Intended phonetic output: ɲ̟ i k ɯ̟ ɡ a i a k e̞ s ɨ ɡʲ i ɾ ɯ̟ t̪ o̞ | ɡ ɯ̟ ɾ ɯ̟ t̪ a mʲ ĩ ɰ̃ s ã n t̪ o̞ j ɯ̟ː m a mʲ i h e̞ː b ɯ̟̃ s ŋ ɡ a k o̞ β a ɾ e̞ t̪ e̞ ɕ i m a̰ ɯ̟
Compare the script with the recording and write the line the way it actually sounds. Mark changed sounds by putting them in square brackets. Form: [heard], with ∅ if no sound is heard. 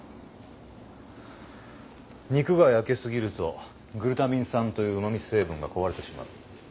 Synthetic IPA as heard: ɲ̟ i k ɯ̟ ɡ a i a k e̞ s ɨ ɡʲ i ɾ ɯ̟ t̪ o̞ | ɡ ɯ̟ ɾ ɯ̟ t̪ a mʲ ĩ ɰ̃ s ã n t̪ o̞ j ɯ̟ː m a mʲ i [s] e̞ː b ɯ̟̃ [∅] ŋ ɡ a k o̞ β a ɾ e̞ t̪ e̞ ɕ i m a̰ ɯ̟